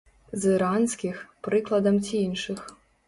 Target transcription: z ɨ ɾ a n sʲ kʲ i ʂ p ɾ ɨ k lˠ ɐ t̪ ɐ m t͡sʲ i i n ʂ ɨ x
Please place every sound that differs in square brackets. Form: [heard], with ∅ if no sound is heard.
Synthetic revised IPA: z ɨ ɾ a n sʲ kʲ i [x] p ɾ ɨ k lˠ ɐ [d̪] ɐ m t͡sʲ i i n ʂ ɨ x